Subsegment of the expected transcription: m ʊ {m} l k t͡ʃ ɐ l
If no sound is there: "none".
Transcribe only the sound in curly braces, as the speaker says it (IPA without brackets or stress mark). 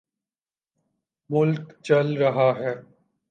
none